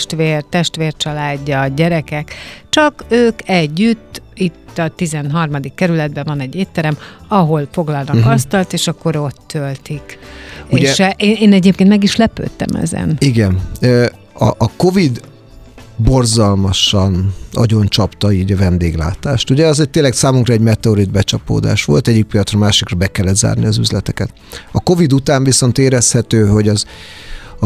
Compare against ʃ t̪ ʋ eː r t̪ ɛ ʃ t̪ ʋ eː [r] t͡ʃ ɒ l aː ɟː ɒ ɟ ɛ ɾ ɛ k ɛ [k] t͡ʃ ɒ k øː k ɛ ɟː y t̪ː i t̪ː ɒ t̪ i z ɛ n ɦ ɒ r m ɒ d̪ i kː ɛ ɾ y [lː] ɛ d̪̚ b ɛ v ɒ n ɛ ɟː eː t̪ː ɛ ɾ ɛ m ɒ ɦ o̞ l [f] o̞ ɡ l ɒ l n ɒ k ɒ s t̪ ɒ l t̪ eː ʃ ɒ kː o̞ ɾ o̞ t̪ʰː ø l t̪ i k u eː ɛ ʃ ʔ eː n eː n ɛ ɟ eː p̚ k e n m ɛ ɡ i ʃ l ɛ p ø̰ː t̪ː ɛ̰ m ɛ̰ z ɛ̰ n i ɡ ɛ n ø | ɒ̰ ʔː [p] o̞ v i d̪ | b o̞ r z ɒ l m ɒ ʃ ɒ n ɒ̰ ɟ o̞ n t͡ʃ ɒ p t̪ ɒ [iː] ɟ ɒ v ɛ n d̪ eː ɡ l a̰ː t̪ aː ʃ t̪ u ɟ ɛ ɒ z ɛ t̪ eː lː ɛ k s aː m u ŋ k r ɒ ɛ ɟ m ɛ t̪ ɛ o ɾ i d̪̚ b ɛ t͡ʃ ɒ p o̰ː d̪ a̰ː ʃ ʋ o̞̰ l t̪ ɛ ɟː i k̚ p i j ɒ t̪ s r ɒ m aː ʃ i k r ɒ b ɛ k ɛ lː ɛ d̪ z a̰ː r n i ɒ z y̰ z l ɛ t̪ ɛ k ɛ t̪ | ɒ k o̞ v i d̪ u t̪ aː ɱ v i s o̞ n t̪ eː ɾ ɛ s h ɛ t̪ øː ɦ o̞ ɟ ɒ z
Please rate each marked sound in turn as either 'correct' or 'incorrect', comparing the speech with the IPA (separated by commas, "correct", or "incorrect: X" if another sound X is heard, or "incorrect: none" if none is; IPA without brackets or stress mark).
correct, correct, incorrect: l, correct, incorrect: k, correct